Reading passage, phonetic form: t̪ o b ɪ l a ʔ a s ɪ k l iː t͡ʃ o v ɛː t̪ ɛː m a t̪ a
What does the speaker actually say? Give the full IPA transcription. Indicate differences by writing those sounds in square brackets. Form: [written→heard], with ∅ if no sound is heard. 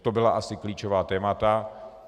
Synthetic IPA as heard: t̪ o b ɪ l a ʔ a s ɪ k l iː t͡ʃ o v [ɛː→aː] t̪ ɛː m a t̪ a